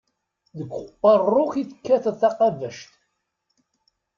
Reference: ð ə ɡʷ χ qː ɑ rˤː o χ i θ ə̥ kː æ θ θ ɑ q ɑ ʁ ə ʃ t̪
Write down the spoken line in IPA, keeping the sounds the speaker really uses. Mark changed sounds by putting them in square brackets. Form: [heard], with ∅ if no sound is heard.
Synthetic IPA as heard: ð ə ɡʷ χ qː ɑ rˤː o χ i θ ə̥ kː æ θ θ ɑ q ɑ [v] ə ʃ t̪